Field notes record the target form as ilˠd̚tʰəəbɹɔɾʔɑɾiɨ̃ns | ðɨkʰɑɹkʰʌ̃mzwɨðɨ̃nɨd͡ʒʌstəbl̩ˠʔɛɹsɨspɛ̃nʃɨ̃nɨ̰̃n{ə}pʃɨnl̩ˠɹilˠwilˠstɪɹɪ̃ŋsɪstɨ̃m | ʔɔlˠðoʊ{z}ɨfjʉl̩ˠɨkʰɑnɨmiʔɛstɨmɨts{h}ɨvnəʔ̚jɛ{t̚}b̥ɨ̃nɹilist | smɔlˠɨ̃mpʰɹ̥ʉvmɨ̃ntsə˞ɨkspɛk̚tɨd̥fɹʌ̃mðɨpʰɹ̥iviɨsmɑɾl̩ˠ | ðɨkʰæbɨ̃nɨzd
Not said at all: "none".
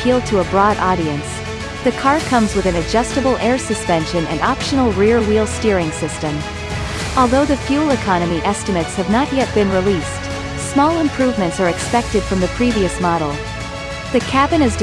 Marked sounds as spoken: ɑ, ð, h, t̚

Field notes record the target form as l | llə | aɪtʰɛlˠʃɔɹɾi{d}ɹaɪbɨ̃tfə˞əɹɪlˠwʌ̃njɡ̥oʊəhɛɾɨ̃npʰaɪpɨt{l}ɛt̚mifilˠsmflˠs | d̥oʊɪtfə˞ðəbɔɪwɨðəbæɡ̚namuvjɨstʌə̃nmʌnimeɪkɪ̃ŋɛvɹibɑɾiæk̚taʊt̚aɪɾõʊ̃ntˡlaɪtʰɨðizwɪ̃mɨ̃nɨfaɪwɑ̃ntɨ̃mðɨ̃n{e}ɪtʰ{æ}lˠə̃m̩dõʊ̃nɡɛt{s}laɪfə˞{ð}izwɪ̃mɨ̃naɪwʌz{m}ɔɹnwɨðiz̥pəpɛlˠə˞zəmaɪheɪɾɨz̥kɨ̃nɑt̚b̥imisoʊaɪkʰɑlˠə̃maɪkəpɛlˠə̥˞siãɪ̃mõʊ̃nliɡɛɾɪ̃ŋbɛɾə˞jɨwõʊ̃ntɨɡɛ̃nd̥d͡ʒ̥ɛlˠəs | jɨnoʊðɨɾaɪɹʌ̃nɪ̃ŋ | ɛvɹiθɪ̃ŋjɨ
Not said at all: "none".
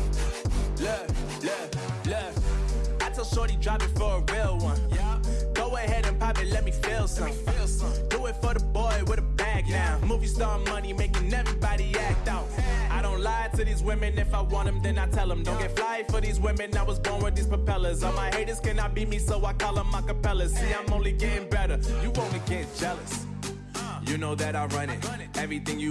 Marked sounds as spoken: d, l, a, ɛ, f, ð, b

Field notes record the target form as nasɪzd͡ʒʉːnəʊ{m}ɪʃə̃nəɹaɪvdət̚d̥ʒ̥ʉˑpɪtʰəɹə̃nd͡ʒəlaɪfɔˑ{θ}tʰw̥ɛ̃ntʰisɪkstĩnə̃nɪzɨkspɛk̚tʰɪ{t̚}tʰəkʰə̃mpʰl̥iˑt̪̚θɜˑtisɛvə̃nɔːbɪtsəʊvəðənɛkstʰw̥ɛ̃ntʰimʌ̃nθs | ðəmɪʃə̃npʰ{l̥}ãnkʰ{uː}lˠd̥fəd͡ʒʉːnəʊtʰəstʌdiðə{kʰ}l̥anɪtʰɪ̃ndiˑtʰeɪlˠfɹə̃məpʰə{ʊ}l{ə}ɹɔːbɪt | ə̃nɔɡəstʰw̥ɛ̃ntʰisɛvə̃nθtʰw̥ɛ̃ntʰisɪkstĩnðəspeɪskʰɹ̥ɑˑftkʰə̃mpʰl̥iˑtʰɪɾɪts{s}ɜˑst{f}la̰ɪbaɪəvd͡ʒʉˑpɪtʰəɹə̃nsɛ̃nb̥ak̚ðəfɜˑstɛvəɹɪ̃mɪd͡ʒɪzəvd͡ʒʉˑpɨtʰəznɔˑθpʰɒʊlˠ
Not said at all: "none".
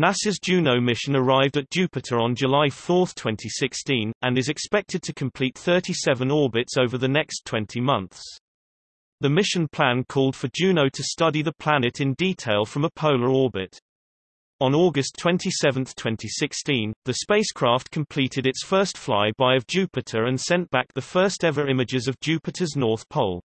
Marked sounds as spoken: m, θ, d̚, l̥, ɔː, pʰ, ʊ, ə, f, f

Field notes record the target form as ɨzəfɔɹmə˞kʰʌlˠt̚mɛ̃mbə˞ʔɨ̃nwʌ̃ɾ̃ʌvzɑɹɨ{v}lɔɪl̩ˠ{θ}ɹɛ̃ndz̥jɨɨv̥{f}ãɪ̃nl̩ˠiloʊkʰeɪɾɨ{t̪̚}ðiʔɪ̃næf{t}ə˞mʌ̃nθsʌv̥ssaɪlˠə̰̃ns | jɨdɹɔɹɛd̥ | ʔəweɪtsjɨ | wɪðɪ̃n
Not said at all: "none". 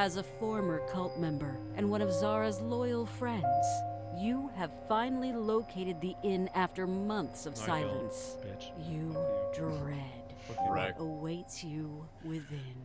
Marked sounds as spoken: z, f, f, d̪̚, t

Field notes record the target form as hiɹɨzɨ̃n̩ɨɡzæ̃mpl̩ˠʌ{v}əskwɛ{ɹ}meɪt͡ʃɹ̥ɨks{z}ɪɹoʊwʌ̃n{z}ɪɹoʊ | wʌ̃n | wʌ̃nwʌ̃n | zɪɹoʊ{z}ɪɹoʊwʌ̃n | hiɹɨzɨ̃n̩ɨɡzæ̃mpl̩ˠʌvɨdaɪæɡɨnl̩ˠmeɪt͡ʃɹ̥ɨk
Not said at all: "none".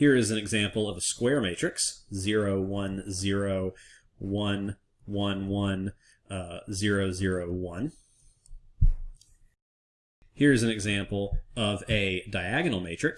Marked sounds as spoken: v, ɹ, z, z, z

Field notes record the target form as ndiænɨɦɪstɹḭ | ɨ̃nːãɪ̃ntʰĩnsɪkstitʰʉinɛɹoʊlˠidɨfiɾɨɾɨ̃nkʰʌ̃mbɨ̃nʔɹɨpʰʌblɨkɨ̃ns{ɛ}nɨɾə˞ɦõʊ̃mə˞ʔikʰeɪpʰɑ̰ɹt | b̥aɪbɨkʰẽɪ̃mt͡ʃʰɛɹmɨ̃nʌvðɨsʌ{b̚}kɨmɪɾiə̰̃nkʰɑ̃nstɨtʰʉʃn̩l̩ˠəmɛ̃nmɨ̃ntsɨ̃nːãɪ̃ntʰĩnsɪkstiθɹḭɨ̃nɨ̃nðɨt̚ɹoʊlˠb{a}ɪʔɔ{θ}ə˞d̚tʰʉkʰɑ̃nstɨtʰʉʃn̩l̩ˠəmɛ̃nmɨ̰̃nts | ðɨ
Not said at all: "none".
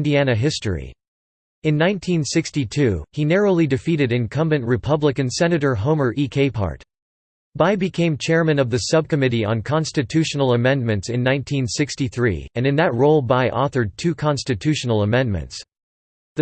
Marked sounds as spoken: ɛ, b̚, a, θ

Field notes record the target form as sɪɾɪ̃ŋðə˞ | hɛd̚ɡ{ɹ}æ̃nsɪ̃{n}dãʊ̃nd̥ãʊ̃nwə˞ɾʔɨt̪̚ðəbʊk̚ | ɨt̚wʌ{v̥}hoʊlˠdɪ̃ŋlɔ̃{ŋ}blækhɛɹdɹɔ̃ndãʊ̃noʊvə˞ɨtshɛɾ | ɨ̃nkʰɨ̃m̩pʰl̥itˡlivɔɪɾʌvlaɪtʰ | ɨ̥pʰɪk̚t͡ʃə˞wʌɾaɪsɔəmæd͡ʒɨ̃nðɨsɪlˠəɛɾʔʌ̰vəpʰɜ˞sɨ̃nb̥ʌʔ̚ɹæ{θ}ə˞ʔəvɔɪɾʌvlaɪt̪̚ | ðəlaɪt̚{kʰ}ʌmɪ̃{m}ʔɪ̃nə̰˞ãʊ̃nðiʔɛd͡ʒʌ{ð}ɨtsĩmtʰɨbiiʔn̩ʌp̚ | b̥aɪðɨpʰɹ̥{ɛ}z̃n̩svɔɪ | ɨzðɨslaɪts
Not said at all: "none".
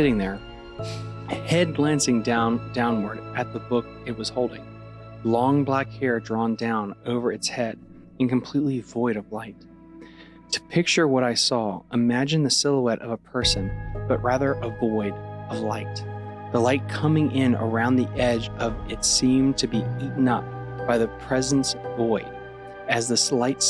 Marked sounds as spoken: l, ŋ, z̥, ŋ, ð, kʰ, ŋ, v, ɛ

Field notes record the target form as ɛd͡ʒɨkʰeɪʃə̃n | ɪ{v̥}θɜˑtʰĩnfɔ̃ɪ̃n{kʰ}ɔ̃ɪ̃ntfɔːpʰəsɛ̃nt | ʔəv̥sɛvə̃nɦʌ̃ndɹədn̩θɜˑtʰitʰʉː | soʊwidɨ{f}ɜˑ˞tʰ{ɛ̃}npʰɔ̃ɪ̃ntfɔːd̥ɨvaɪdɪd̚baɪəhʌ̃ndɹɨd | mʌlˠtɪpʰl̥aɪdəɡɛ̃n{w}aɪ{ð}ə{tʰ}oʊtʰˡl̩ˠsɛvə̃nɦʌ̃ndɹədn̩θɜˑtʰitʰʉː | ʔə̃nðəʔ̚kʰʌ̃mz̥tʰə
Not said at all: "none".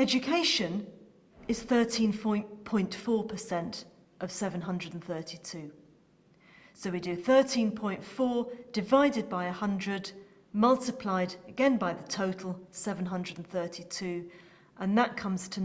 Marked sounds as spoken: z̥, pʰ, θ, ĩ, b, ð, tʰ

